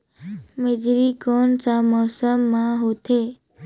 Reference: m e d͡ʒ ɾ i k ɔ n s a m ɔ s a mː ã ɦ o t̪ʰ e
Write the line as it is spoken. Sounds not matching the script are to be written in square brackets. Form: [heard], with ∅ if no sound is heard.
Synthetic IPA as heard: m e d͡ʒ ɾ i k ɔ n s a m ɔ s [ə] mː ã ɦ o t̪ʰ e